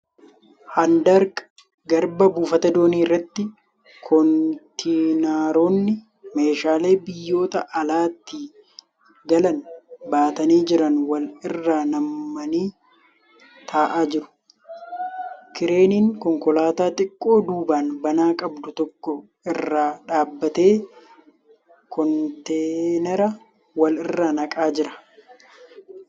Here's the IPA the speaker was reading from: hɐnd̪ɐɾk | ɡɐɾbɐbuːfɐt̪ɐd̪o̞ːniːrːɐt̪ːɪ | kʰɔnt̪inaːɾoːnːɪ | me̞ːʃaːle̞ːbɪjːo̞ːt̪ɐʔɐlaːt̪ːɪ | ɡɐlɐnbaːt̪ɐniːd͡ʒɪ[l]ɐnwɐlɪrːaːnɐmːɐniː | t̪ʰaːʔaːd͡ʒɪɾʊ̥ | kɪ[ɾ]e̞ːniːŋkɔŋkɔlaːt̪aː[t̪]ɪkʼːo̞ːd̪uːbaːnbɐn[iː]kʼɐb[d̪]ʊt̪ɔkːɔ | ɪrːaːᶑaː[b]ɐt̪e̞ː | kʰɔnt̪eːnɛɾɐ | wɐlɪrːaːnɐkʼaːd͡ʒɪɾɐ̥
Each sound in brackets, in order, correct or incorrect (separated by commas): incorrect, correct, incorrect, incorrect, correct, incorrect